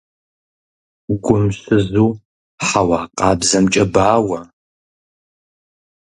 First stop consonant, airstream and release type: plain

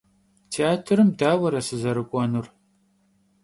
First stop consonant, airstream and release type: aspirated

